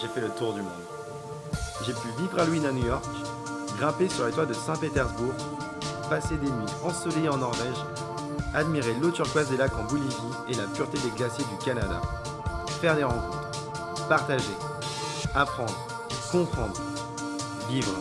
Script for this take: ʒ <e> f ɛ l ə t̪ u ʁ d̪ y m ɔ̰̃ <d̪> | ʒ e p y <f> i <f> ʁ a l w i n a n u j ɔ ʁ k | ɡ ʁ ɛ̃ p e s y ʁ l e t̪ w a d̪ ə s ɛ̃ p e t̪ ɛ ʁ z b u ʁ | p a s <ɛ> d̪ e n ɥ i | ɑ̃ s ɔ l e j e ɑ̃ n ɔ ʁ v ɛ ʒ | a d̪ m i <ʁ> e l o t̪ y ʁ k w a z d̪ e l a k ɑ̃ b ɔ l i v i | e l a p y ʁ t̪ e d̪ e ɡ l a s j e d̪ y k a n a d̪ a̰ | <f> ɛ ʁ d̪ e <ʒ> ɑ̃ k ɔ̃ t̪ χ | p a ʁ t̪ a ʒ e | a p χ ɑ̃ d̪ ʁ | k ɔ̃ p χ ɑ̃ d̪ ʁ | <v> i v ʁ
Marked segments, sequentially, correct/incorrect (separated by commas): correct, correct, incorrect, incorrect, incorrect, correct, correct, incorrect, correct